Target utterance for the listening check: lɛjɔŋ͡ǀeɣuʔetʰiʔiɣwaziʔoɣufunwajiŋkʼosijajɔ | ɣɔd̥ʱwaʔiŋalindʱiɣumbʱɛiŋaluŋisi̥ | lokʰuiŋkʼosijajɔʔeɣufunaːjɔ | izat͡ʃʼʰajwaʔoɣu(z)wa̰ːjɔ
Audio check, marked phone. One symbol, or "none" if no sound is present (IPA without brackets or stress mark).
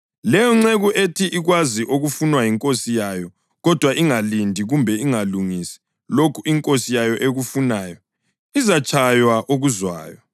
z